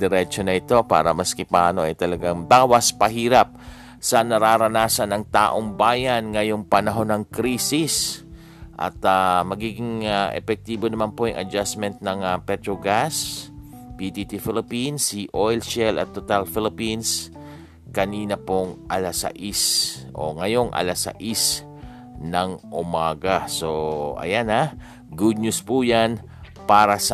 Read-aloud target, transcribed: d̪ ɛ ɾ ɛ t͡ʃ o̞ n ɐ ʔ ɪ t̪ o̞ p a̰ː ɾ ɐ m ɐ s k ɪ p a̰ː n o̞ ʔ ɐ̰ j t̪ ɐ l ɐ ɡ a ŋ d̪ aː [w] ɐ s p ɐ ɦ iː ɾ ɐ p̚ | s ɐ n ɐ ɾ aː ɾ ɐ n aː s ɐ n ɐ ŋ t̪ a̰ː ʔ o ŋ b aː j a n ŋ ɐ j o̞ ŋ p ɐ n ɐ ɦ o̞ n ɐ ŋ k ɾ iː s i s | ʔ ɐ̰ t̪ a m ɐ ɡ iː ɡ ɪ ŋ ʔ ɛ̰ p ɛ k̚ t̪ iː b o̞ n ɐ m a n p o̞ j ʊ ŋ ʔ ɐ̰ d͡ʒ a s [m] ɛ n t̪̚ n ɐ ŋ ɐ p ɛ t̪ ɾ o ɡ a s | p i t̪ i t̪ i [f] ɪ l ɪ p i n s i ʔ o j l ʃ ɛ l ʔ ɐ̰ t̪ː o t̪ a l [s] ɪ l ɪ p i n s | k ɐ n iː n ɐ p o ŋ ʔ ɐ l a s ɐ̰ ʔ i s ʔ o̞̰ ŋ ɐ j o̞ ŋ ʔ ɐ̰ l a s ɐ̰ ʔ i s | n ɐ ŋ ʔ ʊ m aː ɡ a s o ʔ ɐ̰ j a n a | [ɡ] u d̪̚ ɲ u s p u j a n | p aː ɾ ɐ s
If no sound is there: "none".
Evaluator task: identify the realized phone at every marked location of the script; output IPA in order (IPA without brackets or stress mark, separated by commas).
w, m, f, f, ɡ